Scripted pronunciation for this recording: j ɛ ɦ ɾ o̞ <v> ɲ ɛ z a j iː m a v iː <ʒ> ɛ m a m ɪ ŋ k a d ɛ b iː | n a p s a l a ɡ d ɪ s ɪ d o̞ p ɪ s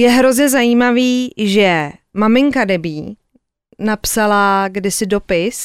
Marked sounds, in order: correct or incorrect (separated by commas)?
incorrect, correct